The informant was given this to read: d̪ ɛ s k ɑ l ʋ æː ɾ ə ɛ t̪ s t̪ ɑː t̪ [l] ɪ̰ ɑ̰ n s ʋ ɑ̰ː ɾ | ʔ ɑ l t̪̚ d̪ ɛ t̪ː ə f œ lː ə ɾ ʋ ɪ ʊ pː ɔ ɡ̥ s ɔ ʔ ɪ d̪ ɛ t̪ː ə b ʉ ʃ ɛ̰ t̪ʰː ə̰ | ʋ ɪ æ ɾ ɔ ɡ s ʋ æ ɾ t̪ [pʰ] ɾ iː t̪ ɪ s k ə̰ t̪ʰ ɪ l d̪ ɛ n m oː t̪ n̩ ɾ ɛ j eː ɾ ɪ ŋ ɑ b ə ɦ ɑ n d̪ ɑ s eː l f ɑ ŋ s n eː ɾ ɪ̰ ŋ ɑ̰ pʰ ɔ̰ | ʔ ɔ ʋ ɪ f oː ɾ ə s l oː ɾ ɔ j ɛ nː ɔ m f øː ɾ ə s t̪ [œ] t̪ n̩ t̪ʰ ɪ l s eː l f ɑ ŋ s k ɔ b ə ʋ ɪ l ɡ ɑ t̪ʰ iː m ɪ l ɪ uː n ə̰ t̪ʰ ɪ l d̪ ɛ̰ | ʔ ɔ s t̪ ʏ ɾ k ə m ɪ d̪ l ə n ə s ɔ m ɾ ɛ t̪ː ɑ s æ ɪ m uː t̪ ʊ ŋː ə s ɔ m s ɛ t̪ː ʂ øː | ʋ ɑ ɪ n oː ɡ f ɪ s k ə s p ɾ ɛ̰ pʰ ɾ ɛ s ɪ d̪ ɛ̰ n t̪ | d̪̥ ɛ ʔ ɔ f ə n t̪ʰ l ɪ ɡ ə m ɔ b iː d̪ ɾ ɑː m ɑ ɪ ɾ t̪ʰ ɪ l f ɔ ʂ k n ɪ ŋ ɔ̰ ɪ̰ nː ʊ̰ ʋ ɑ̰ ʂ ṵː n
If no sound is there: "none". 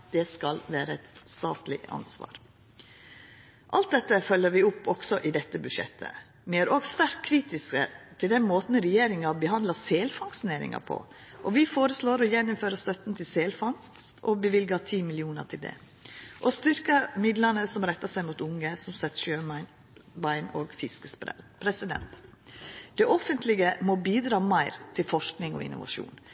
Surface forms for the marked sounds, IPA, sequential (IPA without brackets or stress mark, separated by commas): l, kʰ, œ